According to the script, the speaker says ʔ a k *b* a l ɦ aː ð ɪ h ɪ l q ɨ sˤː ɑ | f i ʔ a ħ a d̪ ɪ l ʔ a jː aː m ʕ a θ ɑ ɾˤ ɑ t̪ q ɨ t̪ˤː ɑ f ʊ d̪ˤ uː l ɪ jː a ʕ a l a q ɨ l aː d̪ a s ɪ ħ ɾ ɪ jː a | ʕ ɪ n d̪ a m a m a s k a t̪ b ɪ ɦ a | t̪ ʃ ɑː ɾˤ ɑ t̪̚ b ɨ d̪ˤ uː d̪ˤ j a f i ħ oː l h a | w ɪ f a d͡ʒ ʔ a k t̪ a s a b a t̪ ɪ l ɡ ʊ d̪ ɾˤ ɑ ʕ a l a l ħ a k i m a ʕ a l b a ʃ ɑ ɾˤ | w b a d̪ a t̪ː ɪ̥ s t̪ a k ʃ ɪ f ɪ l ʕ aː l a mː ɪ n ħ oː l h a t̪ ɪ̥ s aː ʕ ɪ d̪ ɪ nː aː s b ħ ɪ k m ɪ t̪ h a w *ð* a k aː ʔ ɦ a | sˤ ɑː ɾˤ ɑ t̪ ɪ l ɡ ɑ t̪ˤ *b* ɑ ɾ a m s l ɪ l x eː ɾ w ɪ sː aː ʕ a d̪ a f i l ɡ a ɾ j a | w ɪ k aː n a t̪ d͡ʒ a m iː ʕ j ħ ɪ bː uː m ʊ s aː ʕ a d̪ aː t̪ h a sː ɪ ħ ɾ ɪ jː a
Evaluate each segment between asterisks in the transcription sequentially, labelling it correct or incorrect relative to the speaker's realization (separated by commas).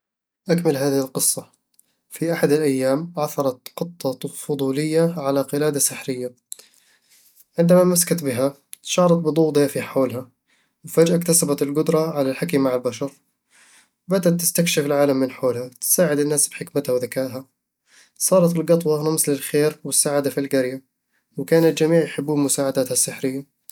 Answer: incorrect, correct, incorrect